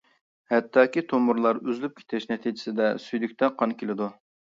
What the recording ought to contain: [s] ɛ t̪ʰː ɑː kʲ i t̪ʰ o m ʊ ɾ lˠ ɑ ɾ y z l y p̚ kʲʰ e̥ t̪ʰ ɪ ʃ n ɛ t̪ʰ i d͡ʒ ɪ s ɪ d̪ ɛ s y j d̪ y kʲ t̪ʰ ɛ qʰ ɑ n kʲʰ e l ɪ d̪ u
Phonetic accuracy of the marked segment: incorrect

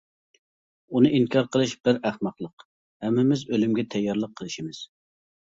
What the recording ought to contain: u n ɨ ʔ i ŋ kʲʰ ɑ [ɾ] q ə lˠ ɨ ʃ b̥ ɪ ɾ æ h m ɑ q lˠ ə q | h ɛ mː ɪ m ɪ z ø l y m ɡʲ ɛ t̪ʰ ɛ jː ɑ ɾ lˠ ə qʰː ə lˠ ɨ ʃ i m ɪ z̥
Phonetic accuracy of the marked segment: correct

